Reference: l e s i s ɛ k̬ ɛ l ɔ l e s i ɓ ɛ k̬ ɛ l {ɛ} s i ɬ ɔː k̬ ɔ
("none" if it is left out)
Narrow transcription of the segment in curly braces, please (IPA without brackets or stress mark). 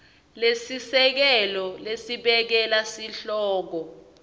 a